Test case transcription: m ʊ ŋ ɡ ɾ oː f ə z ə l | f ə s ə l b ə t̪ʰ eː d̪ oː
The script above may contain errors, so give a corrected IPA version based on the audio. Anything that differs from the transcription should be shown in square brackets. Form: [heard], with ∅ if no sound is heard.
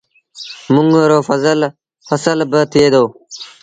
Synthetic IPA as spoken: m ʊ ŋ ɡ ɾ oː f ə z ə l | f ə s ə l b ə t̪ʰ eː d̪ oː

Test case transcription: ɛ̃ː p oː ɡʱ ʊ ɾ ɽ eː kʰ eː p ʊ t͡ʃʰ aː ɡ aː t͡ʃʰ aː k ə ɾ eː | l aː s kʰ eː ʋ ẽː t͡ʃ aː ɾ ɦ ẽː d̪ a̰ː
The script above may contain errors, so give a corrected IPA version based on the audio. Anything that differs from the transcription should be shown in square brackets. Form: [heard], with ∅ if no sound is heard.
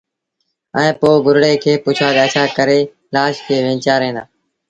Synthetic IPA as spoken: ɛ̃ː p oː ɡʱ ʊ ɾ ɽ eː kʰ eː p ʊ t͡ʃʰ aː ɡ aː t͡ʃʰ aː k ə ɾ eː | l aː [ʃ] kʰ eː ʋ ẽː t͡ʃ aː ɾ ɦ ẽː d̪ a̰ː

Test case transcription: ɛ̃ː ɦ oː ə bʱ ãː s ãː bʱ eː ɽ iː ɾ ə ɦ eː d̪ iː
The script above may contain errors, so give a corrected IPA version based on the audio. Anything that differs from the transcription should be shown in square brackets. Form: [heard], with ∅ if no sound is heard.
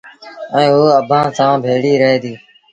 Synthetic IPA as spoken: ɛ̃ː ɦ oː ə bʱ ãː s ãː bʱ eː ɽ iː ɾ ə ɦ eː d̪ iː

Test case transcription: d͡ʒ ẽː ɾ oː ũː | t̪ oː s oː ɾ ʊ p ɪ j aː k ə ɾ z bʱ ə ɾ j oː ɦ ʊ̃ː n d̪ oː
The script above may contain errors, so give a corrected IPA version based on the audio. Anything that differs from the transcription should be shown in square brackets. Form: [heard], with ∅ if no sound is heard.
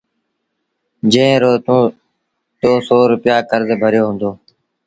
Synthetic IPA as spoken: d͡ʒ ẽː ɾ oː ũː | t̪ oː s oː ɾ ʊ p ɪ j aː k ə ɾ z bʱ ə ɾ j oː ɦ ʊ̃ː n d̪ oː

